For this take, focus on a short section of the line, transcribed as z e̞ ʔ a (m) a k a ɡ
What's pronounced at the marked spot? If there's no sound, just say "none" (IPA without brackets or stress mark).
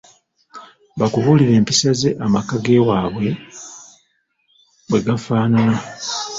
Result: m